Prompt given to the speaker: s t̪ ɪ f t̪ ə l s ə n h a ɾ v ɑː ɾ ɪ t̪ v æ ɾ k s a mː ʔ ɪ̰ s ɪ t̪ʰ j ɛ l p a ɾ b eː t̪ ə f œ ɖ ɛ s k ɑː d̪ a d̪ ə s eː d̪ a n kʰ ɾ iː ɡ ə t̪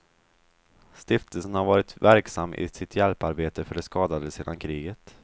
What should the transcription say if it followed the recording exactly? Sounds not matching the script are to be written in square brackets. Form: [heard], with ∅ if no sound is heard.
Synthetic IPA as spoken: s t̪ ɪ f t̪ ə l s ə n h a ɾ v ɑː ɾ ɪ t̪ v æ ɾ k s a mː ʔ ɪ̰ s ɪ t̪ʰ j ɛ l p a ɾ b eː t̪ ə f œ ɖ ɛ s k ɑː d̪ a d̪ ə s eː d̪ a n kʰ ɾ iː ɡ ə t̪